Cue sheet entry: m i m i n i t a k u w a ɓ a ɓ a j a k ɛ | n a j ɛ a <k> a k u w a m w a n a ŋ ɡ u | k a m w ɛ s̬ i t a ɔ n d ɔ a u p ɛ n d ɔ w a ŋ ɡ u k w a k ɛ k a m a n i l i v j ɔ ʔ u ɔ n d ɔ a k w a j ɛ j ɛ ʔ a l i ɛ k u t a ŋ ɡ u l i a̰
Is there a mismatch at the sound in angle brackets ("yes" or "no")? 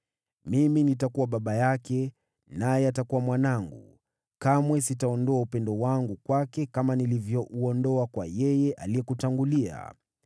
yes